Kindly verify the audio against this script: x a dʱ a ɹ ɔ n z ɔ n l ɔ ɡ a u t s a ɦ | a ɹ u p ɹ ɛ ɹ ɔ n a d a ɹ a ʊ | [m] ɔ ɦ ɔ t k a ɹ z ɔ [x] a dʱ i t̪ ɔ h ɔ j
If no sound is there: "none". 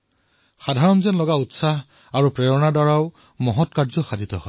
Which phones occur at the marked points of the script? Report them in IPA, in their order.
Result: m, x

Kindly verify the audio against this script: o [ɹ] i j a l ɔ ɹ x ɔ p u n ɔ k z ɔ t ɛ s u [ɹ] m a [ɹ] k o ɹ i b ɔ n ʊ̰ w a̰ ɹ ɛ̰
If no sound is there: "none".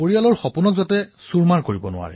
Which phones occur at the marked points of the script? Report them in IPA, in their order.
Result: ɹ, ɹ, ɹ

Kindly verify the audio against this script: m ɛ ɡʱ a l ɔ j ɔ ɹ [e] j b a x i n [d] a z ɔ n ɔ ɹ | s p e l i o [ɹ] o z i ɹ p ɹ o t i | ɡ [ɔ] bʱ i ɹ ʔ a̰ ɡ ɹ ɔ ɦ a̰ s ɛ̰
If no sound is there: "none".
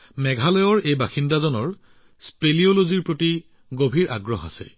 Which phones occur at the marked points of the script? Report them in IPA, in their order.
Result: e, d, l, o

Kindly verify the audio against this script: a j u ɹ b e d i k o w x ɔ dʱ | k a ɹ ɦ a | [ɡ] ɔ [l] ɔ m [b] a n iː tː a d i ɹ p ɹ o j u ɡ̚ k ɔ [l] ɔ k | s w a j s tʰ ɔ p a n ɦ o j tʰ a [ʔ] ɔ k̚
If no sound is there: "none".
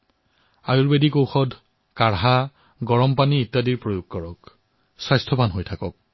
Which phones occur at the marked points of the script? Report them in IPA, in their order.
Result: ɡ, ɹ, p, ɹ, k

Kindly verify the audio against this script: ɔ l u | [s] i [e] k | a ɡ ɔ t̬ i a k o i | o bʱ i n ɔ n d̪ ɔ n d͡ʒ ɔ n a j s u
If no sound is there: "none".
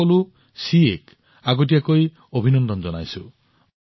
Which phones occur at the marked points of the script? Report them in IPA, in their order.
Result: s, e

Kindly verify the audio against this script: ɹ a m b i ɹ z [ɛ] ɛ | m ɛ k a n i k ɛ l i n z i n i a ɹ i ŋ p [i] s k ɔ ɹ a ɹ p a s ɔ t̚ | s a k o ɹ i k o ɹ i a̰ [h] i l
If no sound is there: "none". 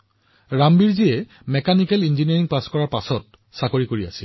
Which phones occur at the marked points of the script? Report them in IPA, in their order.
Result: i, a, s

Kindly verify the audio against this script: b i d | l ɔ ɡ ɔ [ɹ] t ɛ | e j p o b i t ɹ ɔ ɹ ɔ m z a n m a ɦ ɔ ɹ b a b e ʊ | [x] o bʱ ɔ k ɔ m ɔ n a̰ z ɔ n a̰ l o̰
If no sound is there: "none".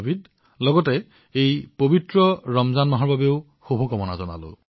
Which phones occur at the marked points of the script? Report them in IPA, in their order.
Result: none, x

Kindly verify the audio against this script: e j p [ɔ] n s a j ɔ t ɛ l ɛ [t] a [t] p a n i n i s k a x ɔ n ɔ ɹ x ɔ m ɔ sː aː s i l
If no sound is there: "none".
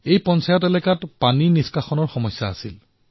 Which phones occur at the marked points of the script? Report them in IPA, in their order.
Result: ɔ, k, t

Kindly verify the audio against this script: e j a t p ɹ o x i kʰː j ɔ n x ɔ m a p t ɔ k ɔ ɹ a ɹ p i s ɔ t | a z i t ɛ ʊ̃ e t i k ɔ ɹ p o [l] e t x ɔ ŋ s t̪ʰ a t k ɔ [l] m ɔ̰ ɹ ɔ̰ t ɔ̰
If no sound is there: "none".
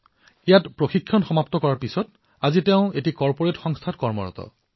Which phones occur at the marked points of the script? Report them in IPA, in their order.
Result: ɹ, ɹ

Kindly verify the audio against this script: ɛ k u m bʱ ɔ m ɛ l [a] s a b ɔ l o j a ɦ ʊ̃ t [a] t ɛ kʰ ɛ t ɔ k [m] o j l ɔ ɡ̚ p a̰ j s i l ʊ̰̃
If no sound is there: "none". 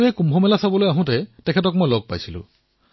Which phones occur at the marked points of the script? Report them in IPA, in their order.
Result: a, ɛ, m

